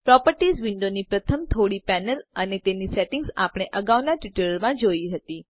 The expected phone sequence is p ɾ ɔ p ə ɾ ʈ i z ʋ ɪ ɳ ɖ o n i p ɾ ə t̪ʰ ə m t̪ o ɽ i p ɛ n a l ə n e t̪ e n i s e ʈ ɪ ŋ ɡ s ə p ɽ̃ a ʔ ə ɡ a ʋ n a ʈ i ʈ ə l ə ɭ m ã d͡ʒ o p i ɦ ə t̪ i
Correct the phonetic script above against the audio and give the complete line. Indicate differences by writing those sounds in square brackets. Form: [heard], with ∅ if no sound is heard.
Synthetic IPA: p ɾ ɔ p ə ɾ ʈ i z ʋ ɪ ɳ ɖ o n i p ɾ ə t̪ʰ ə m [t̪ʰ] o ɽ i p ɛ n [ə] l ə n e t̪ e n i s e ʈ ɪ ŋ ɡ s [a] p ɽ̃ [e] ʔ ə ɡ a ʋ n a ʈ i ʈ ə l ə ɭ m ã d͡ʒ o [∅] i ɦ ə t̪ i